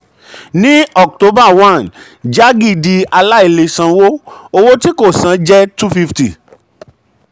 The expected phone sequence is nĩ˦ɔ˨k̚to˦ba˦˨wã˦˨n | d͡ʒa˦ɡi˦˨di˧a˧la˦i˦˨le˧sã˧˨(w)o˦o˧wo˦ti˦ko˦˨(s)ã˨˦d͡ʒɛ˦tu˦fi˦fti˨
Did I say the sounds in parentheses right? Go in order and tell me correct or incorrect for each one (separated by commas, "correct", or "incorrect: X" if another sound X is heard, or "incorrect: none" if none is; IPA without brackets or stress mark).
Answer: correct, correct